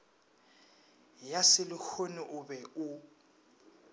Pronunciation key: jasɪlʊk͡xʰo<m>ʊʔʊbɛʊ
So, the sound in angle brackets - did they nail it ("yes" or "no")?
no